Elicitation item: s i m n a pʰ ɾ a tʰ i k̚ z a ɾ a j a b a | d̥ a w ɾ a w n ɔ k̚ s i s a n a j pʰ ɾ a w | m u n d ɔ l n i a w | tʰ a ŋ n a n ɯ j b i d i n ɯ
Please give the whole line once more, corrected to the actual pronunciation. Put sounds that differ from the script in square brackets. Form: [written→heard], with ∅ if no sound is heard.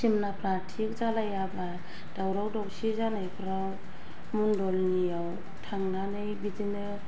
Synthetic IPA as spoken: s i m n a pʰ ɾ a tʰ i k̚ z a [ɾ→l] a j a b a | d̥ a w ɾ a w [n→d] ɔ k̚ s i [s→z] a n a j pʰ ɾ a w | m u n d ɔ l n i a w | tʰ a ŋ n a n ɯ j b i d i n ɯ